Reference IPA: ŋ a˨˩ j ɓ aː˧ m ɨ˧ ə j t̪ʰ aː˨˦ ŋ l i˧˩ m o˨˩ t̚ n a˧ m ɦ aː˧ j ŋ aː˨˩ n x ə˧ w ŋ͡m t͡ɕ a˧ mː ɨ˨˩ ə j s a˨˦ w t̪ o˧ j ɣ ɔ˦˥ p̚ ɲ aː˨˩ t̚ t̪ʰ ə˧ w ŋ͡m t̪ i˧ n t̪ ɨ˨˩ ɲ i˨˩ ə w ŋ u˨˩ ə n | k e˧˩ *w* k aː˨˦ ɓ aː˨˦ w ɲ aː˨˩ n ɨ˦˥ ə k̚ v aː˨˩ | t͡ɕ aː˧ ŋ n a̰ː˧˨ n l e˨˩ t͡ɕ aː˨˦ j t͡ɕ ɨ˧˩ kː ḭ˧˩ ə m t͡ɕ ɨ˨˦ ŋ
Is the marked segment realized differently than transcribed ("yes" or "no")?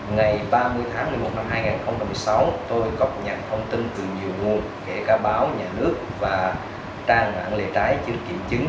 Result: yes